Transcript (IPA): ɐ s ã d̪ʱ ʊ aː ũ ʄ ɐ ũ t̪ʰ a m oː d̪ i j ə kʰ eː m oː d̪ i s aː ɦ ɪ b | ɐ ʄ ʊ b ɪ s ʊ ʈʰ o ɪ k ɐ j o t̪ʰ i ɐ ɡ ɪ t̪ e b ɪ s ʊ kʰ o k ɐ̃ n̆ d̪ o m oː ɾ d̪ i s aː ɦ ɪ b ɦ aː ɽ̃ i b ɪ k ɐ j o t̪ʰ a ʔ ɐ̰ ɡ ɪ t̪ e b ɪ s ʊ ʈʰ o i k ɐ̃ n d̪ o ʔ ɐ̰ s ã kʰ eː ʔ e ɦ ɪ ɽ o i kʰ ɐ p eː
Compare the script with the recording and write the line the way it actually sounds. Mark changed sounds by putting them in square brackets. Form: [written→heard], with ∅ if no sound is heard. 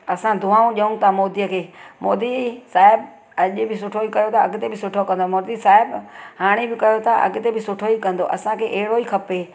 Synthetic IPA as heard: ɐ s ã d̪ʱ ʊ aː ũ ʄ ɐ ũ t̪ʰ a m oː d̪ i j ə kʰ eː m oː d̪ i s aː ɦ ɪ b | ɐ ʄ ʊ b ɪ s ʊ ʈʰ o [ɪ→i] k ɐ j o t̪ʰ [i→a] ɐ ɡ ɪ t̪ e b ɪ s ʊ [kʰ→ʈʰ] o k ɐ̃ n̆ d̪ o m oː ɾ d̪ i s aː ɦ ɪ b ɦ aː ɽ̃ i b ɪ k ɐ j o t̪ʰ a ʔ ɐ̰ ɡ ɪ t̪ e b ɪ s ʊ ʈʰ o i k ɐ̃ n d̪ o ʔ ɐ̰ s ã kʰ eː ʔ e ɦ ɪ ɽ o i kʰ ɐ p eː

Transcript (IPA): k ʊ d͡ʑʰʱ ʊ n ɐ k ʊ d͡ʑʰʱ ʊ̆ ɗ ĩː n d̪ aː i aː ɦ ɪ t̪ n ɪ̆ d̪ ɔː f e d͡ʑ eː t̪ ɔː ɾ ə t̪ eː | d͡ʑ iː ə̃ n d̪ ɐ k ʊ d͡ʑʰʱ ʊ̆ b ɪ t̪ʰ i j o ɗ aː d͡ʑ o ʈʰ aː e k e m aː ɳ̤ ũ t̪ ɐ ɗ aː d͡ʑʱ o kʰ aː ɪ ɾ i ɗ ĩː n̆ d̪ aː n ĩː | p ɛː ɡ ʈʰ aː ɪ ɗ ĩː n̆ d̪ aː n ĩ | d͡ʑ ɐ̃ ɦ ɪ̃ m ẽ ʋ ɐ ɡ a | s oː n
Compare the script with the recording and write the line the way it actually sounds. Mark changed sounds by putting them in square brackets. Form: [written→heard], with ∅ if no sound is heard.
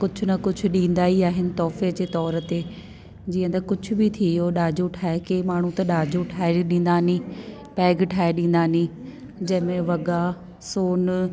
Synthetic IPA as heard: k ʊ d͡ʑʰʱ ʊ n ɐ k ʊ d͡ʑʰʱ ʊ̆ ɗ ĩː n d̪ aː i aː ɦ ɪ [t̪→∅] n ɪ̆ [d̪→t̪] ɔː f e d͡ʑ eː t̪ ɔː ɾ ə t̪ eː | d͡ʑ iː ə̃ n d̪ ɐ k ʊ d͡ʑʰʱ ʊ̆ b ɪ t̪ʰ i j o ɗ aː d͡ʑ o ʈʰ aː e k e m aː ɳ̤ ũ t̪ ɐ ɗ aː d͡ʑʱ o [kʰ→ʈʰ] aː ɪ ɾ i ɗ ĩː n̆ d̪ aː n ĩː | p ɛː ɡ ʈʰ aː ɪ ɗ ĩː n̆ d̪ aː n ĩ | d͡ʑ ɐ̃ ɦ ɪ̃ m ẽ ʋ ɐ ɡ a | s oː n

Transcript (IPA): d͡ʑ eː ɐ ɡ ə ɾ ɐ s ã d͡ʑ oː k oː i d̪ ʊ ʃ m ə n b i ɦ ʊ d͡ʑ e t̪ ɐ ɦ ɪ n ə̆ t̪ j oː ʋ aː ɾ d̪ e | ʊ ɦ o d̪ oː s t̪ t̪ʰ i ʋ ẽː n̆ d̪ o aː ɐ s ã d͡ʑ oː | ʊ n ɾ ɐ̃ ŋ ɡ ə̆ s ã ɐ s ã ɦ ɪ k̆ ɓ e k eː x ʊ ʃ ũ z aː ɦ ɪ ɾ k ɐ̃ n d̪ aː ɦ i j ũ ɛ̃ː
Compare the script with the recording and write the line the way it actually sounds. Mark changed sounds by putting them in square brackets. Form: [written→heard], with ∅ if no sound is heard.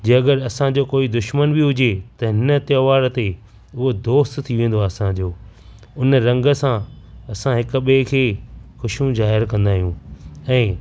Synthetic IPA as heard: d͡ʑ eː ɐ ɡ ə ɾ ɐ s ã d͡ʑ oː k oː i d̪ ʊ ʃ m ə n b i ɦ ʊ d͡ʑ e t̪ ɐ ɦ ɪ n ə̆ t̪ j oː ʋ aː ɾ [d̪→t̪] e | ʊ ɦ o d̪ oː s t̪ t̪ʰ i ʋ ẽː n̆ d̪ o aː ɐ s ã d͡ʑ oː | ʊ n ɾ ɐ̃ ŋ ɡ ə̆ s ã ɐ s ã ɦ ɪ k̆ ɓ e [k→kʰ] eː x ʊ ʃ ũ z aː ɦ ɪ ɾ k ɐ̃ n d̪ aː ɦ i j ũ ɛ̃ː

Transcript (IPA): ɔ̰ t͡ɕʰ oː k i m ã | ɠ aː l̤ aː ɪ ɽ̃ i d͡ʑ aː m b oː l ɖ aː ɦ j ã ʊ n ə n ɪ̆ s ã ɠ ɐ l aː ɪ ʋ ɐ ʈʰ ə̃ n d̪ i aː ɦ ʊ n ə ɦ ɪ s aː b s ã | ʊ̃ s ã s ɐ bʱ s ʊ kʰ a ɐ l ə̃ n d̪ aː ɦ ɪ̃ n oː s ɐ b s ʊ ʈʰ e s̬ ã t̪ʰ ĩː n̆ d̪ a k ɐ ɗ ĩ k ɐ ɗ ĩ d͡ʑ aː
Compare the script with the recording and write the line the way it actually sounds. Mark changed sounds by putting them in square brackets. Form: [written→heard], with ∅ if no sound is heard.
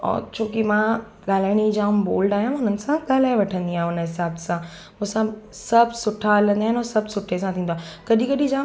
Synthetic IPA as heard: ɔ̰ t͡ɕʰ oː k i m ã | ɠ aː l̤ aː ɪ ɽ̃ i d͡ʑ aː m b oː l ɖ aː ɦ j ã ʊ n ə n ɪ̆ s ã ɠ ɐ l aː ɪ ʋ ɐ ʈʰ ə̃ n d̪ i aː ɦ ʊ n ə ɦ ɪ s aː b s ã | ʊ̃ s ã s ɐ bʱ s ʊ [kʰ→ʈʰ] a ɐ l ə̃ n d̪ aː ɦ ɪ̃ n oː s ɐ b s ʊ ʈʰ e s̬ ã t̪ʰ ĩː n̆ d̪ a k ɐ ɗ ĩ k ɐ ɗ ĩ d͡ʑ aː

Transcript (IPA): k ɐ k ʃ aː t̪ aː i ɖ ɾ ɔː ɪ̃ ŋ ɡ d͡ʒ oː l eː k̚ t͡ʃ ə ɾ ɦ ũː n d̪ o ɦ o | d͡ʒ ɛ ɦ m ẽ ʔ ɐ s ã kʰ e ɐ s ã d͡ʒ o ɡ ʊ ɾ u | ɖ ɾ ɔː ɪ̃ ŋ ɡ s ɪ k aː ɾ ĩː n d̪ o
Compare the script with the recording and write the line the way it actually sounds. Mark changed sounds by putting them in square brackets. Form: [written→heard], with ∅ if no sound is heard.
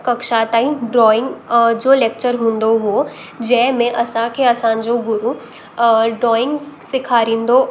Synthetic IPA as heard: k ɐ k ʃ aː t̪ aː i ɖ ɾ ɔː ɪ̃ ŋ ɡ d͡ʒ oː l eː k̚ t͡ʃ ə ɾ ɦ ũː n d̪ o ɦ o | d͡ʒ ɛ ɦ m ẽ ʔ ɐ s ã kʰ e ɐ s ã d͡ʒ o ɡ ʊ ɾ u | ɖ ɾ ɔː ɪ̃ ŋ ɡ s ɪ [k→kʰ] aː ɾ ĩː n d̪ o

